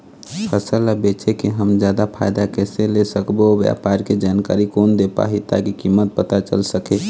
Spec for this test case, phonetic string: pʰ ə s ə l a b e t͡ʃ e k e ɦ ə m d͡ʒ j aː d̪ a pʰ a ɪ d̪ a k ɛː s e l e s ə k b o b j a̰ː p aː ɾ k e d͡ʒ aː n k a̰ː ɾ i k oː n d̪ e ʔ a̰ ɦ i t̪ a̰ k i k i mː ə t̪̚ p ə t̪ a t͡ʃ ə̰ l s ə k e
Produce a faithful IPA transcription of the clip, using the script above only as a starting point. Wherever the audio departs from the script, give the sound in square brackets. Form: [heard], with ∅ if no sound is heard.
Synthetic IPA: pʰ ə s ə l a b e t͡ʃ e k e ɦ ə m d͡ʒ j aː d̪ a pʰ a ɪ d̪ a k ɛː s e l e s ə k b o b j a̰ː p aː ɾ k e d͡ʒ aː n k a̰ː ɾ i k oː n d̪ e [p] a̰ ɦ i t̪ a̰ k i k i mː ə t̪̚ p ə t̪ a t͡ʃ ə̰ l s ə k e